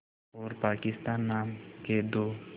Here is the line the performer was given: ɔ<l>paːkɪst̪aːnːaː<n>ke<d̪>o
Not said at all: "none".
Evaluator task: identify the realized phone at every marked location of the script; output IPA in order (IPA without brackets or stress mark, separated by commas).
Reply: ɾ, m, d̪